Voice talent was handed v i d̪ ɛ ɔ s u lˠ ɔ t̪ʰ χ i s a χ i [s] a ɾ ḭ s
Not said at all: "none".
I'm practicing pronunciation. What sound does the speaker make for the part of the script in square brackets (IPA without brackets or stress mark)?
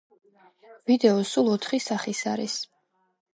s